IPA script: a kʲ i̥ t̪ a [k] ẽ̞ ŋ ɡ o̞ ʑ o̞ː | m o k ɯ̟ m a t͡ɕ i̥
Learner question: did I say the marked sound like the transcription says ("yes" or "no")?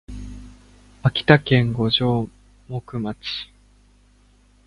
yes